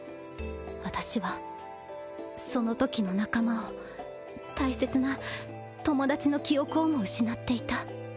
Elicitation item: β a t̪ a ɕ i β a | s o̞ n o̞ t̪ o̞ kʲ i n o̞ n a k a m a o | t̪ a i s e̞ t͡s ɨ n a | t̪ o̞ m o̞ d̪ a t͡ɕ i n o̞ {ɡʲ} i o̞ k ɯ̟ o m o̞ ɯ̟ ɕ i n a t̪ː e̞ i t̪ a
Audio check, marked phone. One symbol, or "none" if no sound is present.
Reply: kʲ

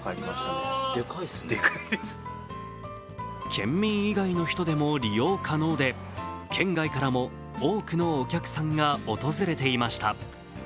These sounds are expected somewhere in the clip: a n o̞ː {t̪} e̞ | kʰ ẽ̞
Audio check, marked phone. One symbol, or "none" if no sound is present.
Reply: d̪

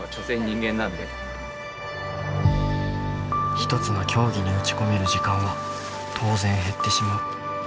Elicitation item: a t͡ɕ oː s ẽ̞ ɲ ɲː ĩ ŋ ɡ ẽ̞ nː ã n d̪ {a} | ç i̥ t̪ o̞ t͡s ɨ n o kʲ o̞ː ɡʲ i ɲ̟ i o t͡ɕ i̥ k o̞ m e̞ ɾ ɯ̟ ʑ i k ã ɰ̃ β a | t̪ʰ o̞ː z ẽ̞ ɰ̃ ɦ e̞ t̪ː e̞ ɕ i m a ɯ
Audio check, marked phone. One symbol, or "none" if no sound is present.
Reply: e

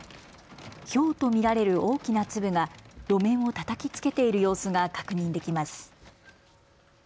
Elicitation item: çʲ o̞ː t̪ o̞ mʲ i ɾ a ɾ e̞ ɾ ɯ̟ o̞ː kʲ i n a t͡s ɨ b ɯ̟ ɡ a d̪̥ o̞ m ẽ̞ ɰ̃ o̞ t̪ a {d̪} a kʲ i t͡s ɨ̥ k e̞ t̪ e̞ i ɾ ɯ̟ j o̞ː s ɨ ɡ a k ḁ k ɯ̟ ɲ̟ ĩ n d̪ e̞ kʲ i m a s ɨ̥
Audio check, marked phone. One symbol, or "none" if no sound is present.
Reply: t̪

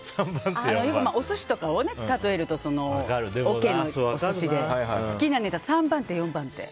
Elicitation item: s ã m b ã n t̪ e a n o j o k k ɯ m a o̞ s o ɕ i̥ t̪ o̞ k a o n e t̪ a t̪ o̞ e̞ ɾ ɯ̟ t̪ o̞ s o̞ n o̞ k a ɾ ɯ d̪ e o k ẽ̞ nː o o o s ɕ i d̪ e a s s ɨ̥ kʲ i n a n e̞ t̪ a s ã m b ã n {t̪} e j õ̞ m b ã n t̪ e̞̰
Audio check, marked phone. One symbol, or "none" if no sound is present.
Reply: t̪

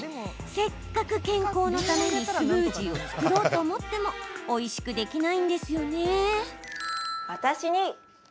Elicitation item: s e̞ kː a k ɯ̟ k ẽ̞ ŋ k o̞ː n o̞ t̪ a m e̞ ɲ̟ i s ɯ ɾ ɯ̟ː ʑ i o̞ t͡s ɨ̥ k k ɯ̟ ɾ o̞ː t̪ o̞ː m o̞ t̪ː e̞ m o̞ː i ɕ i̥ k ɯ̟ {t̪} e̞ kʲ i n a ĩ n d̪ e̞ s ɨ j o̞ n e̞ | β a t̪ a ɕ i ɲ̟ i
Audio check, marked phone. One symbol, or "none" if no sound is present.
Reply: d̪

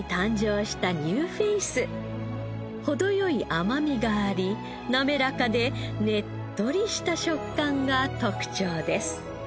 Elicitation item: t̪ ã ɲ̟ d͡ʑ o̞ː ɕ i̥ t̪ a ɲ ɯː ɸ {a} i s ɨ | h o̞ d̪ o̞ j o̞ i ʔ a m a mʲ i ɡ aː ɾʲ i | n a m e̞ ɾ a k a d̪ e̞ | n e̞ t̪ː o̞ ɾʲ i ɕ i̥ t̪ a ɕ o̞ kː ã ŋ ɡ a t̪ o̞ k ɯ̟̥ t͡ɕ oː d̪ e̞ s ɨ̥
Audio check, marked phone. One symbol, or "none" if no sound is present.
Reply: e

